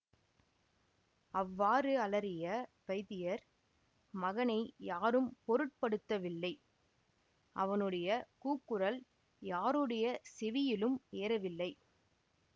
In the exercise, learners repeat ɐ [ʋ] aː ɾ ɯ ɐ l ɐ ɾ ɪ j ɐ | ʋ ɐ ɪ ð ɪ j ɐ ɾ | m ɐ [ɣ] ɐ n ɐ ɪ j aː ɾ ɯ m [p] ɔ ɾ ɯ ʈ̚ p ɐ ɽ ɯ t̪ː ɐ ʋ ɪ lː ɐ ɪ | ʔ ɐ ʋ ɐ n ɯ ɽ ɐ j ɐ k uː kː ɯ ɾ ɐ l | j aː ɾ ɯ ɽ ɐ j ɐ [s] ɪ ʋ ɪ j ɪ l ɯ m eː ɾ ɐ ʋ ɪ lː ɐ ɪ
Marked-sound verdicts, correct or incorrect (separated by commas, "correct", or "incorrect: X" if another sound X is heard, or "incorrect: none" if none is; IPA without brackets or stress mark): incorrect: ʋː, correct, correct, correct